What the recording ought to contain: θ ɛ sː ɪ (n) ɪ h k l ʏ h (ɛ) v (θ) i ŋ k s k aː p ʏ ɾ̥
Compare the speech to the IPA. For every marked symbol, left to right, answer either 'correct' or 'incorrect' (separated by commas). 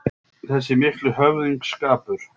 incorrect, incorrect, incorrect